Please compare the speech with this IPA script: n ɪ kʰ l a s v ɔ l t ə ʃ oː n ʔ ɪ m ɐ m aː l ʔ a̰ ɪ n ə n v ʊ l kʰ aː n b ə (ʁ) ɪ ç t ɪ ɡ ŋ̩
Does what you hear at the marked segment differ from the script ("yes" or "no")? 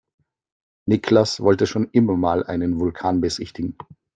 yes